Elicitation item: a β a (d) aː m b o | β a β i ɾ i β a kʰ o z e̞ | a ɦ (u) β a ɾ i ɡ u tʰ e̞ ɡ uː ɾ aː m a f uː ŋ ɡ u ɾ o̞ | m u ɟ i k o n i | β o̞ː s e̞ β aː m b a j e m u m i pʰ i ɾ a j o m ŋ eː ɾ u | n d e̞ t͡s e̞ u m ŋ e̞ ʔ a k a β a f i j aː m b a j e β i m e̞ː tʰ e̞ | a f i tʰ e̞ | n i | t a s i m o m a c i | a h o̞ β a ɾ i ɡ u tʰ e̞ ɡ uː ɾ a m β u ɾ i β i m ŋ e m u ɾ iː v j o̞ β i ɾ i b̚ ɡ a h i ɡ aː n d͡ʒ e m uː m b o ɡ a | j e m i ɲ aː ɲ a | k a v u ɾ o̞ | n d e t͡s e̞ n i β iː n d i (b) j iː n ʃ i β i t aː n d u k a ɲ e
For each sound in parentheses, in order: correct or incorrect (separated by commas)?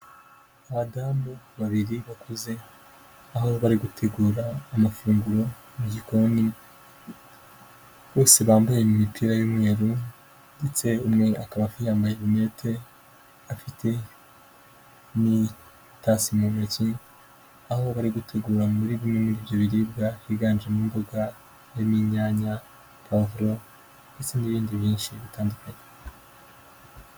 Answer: correct, incorrect, incorrect